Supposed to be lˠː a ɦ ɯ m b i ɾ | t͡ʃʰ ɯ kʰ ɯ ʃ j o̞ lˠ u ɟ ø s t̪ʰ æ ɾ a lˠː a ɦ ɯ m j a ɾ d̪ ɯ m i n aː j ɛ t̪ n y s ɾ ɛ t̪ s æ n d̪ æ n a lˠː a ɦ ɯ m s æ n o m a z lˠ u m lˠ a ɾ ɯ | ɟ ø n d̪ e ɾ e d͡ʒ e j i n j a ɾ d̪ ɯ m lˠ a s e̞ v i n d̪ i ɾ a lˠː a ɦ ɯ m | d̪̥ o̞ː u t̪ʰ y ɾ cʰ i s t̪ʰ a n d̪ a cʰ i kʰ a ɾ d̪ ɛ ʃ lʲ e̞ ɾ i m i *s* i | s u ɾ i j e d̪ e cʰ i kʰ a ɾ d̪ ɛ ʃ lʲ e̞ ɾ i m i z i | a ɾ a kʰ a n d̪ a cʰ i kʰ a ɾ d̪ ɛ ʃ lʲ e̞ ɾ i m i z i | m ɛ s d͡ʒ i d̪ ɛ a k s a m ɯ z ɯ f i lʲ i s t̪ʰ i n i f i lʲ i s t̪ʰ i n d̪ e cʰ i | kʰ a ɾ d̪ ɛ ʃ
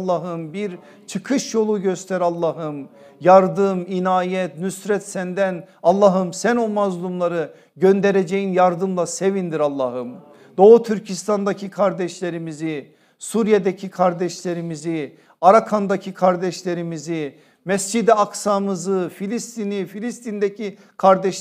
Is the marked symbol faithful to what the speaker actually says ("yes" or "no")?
no